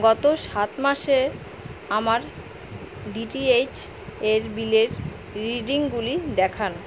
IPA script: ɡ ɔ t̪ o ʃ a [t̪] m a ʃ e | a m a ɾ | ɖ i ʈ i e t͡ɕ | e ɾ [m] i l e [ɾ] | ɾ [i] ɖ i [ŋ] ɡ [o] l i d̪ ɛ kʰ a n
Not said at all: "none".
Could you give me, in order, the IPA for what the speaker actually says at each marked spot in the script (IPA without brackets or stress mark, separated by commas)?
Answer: t̪, b, ɾ, i, ŋ, u